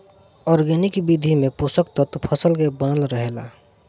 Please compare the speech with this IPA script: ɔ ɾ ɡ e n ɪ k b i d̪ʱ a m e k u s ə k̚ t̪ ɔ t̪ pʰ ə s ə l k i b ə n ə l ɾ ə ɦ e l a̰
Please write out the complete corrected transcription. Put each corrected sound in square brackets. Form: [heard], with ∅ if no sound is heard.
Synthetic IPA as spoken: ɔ ɾ ɡ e n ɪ k b i d̪ʱ [i] m e [p] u s ə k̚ t̪ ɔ t̪ pʰ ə s ə l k [e] b ə n ə l ɾ ə ɦ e l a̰